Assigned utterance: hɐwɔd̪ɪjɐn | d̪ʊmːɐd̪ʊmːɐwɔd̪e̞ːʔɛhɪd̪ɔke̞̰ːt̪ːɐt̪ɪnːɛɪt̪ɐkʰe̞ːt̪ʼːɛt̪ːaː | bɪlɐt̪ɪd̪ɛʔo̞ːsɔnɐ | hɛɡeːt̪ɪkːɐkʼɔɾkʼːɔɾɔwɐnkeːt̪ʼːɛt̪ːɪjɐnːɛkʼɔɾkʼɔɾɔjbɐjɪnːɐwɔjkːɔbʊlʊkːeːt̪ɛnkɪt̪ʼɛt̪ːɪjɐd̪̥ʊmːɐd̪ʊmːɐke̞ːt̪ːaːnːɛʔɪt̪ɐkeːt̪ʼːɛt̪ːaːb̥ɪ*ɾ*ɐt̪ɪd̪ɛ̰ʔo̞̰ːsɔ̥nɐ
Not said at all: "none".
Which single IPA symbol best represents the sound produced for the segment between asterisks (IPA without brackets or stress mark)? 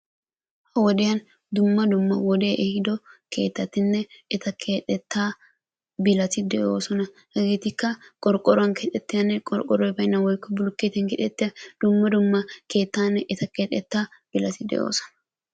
l